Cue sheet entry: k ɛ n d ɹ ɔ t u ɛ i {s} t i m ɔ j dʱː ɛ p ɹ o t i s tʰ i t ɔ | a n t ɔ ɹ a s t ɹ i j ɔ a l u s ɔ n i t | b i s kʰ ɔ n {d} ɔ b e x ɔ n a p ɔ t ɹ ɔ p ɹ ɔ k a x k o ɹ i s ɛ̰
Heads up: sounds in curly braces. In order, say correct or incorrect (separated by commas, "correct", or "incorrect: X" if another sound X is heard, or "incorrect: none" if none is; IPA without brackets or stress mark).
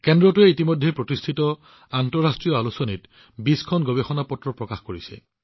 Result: incorrect: none, incorrect: ɡ